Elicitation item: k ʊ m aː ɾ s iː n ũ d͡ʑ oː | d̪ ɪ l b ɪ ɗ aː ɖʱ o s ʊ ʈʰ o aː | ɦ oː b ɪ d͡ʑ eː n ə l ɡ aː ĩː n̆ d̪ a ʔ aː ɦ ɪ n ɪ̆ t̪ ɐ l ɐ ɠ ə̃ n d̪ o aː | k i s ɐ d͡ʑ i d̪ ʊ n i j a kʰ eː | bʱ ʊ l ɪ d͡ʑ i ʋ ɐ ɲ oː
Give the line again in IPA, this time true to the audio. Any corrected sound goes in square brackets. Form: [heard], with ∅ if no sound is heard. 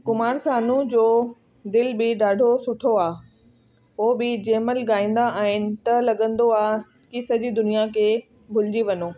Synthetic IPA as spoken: k ʊ m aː ɾ s [aː] n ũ d͡ʑ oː | d̪ ɪ l b ɪ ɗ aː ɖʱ o s ʊ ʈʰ o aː | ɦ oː b ɪ d͡ʑ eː [m] ə l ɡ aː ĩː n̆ d̪ a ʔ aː ɦ ɪ n ɪ̆ t̪ ɐ l ɐ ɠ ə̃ n d̪ o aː | k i s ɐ d͡ʑ i d̪ ʊ n i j a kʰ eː | bʱ ʊ l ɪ d͡ʑ i ʋ ɐ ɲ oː